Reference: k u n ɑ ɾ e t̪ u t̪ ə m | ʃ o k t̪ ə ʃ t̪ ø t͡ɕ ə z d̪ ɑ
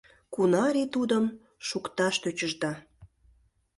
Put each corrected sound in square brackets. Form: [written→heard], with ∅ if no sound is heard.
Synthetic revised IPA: k u n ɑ ɾ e t̪ u [t̪→d̪] ə m | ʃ [o→u] k t̪ [ə→ɑ] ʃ t̪ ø t͡ɕ ə [z→ʒ] d̪ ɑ